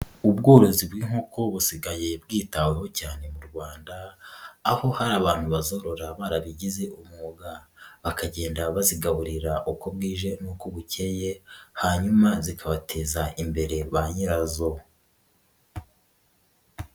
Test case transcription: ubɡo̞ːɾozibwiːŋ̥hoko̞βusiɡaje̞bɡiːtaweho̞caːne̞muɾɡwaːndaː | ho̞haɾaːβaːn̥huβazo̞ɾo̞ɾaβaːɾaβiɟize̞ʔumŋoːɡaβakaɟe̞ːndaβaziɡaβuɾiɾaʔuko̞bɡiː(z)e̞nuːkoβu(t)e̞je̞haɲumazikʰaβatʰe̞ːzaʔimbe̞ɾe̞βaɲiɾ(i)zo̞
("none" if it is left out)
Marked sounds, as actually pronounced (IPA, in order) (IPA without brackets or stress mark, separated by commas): ʒ, c, a